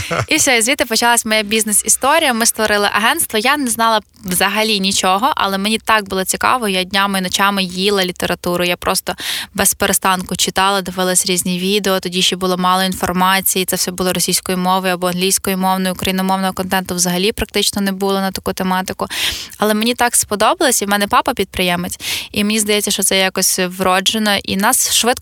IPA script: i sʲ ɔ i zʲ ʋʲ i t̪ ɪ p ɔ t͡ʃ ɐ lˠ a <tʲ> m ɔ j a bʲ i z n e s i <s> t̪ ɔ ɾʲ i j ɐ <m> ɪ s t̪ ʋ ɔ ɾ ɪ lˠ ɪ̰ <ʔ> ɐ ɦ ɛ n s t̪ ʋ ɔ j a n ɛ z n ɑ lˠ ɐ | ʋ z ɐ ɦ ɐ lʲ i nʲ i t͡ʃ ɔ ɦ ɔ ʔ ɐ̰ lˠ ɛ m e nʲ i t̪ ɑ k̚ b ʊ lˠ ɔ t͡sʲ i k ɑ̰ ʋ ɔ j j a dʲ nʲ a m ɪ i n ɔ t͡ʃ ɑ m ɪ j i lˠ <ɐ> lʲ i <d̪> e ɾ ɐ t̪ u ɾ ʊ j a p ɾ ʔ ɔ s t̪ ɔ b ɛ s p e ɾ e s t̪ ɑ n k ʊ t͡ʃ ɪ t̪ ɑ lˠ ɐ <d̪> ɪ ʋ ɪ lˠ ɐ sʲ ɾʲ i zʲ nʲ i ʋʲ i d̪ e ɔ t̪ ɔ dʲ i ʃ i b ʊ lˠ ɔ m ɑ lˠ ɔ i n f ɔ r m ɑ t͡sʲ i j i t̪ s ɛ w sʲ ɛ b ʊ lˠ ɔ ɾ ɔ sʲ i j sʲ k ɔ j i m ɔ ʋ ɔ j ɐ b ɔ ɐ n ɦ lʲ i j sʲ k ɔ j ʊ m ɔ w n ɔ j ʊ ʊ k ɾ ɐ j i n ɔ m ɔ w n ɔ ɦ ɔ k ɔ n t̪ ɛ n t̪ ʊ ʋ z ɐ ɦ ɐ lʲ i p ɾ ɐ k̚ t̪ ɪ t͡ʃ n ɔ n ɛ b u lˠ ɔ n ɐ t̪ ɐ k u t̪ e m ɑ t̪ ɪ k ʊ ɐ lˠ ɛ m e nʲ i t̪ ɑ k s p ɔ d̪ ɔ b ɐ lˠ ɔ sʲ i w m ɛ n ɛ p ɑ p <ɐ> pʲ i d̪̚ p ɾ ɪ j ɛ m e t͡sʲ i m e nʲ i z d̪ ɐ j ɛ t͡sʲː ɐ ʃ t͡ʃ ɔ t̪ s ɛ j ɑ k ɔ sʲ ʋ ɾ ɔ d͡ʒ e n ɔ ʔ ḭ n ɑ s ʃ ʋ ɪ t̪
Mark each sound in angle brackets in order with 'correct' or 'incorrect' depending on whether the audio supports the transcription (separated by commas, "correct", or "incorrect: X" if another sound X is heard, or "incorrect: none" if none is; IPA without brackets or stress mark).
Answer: incorrect: sʲ, correct, correct, correct, correct, incorrect: t̪, correct, correct